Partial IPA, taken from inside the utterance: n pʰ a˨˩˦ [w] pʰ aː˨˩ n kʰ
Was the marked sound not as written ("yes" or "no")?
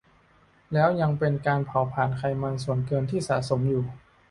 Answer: no